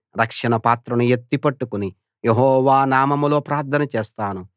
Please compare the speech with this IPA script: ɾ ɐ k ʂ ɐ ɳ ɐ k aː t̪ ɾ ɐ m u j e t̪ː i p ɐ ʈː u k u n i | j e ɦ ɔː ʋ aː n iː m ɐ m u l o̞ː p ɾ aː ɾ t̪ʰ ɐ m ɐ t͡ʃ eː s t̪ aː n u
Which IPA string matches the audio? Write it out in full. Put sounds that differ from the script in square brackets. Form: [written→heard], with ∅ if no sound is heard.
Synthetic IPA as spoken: ɾ ɐ k ʂ ɐ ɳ ɐ [k→p] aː t̪ ɾ ɐ [m→n] u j e t̪ː i p ɐ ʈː u k u n i | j e ɦ ɔː ʋ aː n [iː→aː] m ɐ m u l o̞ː p ɾ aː ɾ t̪ʰ ɐ [m→n] ɐ t͡ʃ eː s t̪ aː n u